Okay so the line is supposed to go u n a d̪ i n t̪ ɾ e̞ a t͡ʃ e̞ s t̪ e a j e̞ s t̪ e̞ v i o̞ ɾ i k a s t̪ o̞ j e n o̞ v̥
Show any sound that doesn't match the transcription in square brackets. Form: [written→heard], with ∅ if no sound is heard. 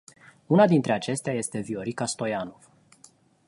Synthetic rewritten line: u n a d̪ i n t̪ ɾ e̞ a t͡ʃ e̞ s t̪ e a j e̞ s t̪ e̞ v i o̞ ɾ i k a s t̪ o̞ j [e→a] n o̞ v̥